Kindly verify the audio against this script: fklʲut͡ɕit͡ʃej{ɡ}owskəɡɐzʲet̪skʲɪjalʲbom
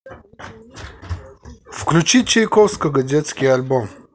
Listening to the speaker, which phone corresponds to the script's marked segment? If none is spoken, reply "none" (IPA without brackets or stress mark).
k